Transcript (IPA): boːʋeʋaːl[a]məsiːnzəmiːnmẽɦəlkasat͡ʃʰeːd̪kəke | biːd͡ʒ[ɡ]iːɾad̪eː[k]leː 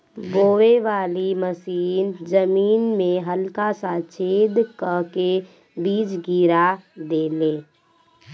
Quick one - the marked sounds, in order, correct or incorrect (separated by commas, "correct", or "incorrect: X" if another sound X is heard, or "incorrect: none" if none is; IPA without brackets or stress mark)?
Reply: incorrect: i, correct, incorrect: none